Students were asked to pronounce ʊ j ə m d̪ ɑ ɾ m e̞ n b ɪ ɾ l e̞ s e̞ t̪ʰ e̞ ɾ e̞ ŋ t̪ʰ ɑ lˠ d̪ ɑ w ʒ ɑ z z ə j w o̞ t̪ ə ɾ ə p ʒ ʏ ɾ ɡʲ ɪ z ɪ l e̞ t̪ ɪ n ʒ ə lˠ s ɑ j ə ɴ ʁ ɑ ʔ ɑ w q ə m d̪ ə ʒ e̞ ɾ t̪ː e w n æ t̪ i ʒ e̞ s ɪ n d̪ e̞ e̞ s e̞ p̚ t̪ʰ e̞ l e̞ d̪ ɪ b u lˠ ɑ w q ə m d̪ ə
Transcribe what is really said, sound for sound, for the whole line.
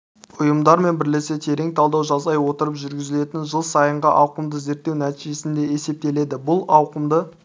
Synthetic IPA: ʊ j ə m d̪ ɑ ɾ m e̞ n b ɪ ɾ l e̞ s e̞ t̪ʰ e̞ ɾ e̞ ŋ t̪ʰ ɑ lˠ d̪ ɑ w ʒ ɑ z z ɑ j w o̞ t̪ ə ɾ ə p ʒ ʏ ɾ ɡʲ ɪ z ɪ l e̞ t̪ ɪ n ʒ ə lˠ s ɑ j ə ɴ ʁ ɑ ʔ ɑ w q ə m d̪ ə z e̞ ɾ t̪ː e w n æ t̪ i ʒ e̞ s ɪ n d̪ e̞ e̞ s e̞ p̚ t̪ e̞ l e̞ d̪ ɪ b ʊ lˠ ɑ w q ə m d̪ ə

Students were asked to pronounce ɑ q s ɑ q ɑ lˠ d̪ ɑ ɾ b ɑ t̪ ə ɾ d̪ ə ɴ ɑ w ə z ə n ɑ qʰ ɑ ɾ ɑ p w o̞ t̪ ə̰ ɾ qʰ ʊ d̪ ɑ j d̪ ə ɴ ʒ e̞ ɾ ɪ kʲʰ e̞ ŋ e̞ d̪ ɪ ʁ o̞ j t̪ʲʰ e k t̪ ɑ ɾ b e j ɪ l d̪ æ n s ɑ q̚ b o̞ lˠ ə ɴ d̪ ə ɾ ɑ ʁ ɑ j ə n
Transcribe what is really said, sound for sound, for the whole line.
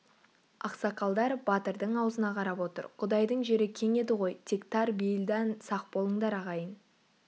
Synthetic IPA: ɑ q s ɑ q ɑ lˠ d̪ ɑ ɾ b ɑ t̪ ə ɾ d̪ ə ɴ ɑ w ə z ə n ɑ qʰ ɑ ɾ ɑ p w o̞ t̪ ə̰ ɾ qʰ ʊ d̪ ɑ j d̪ ə ɴ ʒ e̞ ɾ ɪ kʲʰ e̞ ŋ e̞ d̪ ɪ ʁ o̞ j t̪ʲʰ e k t̪ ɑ ɾ b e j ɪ l d̪ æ n s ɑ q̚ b o̞ lˠ ə ɴ d̪ ɑ ɾ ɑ ʁ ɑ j ə n

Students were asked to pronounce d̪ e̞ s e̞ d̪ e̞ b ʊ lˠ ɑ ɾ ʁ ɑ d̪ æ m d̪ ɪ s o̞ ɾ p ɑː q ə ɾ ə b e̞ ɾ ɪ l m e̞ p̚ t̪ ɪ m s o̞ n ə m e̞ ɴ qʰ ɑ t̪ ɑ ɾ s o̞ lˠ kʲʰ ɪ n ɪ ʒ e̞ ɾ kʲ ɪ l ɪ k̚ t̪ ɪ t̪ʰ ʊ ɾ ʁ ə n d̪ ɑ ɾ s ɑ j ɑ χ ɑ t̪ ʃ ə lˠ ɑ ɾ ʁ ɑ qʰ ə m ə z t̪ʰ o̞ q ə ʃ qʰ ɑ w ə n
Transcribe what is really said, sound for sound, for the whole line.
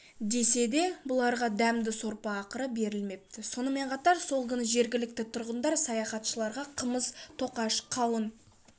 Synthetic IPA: d̪ e̞ s e̞ d̪ e̞ b ʊ lˠ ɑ ɾ ʁ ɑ d̪ æ m d̪ ɪ s o̞ ɾ p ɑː q ə ɾ ə b e̞ ɾ ɪ l m e̞ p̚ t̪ ɪ s o̞ n ə m e̞ ɴ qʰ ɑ t̪ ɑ ɾ s o̞ lˠ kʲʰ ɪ n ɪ ʒ e̞ ɾ ɡʲ ɪ l ɪ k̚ t̪ ɪ t̪ʰ ʊ ɾ ʁ ə n d̪ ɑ ɾ s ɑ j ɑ χ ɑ t̪ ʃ ə lˠ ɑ ɾ ʁ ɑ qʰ ə m ə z t̪ʰ o̞ q ɑ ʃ qʰ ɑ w ə n

